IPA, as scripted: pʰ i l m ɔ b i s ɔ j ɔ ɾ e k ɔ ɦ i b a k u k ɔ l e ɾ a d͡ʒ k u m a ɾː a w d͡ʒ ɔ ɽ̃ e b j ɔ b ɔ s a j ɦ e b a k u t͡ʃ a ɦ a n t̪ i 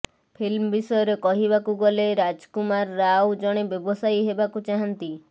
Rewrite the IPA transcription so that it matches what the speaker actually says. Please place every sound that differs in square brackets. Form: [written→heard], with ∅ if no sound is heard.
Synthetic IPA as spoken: pʰ i l m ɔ b i s ɔ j ɔ ɾ e k ɔ ɦ i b a k u [k→ɡ] ɔ l e ɾ a d͡ʒ k u m a ɾː a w d͡ʒ ɔ ɽ̃ e b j ɔ b ɔ s a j ɦ e b a k u t͡ʃ a ɦ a n t̪ i